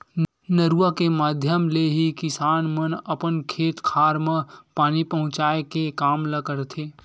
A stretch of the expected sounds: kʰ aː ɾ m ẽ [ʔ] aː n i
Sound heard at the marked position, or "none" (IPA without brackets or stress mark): p